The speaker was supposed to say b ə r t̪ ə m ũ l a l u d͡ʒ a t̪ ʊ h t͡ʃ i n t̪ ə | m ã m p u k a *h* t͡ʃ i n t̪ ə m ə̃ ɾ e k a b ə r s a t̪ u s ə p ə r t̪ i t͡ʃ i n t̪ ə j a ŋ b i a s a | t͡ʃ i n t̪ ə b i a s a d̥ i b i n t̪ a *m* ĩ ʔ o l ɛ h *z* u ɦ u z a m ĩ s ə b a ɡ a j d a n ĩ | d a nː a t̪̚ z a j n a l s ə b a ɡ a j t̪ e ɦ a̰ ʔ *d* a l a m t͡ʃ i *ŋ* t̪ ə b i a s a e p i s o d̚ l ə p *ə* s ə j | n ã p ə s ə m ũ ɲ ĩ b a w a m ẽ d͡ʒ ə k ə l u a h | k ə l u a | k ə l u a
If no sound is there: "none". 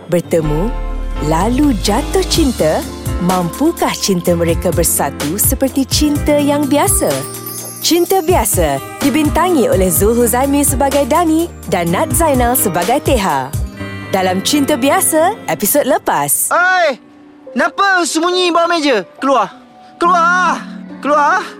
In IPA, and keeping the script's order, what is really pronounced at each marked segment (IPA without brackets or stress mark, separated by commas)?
h, ŋ, z, d, n, a